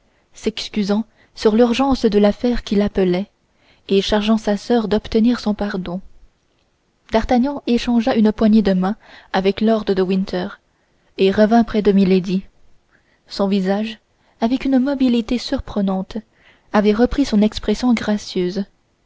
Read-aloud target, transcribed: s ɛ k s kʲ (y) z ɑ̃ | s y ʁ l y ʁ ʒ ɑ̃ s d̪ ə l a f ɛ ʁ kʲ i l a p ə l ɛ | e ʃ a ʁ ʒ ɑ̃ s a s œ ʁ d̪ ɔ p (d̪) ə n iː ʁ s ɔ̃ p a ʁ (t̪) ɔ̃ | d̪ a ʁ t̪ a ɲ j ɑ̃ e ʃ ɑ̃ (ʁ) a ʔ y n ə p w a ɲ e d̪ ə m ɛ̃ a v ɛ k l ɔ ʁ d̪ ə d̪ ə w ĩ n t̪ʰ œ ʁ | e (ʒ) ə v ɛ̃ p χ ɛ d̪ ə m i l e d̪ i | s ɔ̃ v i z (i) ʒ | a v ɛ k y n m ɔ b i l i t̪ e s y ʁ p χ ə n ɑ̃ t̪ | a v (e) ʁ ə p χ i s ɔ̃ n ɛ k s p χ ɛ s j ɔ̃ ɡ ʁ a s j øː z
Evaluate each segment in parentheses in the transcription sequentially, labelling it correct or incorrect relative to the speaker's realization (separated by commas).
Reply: correct, incorrect, incorrect, incorrect, incorrect, incorrect, incorrect